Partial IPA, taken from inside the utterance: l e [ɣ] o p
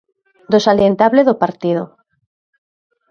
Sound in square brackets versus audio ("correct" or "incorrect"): incorrect